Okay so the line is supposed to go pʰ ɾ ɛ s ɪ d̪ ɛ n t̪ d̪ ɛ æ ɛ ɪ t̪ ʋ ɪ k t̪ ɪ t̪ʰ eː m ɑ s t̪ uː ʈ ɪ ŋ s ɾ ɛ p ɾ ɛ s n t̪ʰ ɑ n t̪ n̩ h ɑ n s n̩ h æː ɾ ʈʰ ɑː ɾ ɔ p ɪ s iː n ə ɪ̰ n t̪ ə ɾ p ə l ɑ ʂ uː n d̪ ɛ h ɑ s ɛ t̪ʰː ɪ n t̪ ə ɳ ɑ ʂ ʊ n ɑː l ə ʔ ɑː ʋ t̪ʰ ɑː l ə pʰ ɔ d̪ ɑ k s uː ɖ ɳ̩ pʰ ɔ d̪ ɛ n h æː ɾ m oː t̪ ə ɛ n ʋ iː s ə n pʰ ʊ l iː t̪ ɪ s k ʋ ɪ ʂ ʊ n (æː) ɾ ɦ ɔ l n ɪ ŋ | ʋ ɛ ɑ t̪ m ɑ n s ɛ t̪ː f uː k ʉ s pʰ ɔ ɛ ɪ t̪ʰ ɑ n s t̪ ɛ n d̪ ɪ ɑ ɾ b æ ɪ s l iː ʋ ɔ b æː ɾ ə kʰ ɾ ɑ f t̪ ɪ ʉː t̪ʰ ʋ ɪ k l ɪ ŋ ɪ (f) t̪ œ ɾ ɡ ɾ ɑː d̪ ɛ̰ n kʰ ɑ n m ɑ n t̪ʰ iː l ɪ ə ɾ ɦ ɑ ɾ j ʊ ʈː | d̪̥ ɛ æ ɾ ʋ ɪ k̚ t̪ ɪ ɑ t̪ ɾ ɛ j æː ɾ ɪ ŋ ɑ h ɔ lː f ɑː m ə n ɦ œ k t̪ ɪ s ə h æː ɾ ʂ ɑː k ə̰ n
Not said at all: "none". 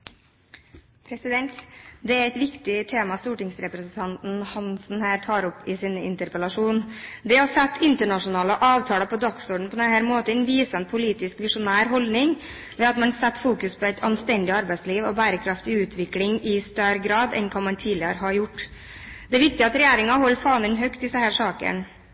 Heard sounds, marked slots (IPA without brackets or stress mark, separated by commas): æː, s